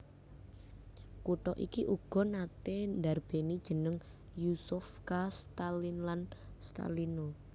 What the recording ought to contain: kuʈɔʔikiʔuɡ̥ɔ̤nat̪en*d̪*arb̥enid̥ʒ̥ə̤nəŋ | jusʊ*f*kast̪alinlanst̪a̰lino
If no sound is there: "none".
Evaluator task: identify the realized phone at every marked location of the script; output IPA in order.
d̪, f

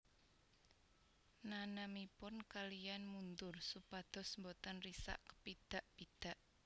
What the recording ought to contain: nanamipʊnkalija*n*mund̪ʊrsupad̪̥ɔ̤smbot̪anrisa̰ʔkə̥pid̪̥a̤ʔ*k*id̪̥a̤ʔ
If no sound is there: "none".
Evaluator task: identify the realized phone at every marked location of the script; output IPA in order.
n, p

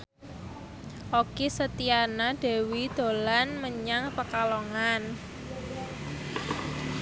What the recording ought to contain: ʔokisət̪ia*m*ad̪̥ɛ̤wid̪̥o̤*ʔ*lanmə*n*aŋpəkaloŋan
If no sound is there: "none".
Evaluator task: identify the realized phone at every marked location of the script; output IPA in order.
n, none, ɲ

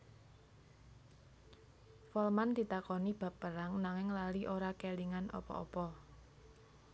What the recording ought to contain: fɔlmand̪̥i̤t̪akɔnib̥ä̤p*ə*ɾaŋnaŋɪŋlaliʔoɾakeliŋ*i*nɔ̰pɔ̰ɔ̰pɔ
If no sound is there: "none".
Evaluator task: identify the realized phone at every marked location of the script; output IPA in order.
ə, a

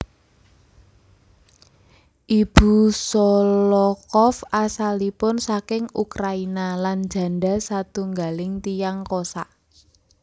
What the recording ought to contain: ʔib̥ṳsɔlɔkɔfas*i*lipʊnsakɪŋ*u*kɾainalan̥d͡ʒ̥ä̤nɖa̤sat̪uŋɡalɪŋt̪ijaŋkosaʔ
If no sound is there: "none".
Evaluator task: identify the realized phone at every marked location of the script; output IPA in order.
a, u

